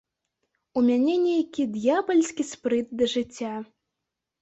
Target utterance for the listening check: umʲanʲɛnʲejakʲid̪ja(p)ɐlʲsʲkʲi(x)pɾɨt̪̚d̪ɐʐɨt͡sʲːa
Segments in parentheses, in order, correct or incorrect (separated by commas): incorrect, incorrect